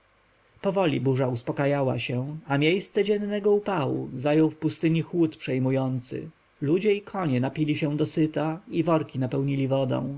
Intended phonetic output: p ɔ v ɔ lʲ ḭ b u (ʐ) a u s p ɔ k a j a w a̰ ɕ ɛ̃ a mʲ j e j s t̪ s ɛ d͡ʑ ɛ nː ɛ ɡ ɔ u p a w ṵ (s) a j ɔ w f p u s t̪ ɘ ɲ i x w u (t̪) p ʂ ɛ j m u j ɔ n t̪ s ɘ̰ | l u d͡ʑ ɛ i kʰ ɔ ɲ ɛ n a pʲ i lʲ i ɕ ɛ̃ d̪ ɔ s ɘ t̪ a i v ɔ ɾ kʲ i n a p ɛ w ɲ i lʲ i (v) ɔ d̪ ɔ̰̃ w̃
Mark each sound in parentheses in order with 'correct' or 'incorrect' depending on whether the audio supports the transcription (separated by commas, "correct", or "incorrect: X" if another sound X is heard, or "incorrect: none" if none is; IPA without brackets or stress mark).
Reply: correct, incorrect: z, correct, correct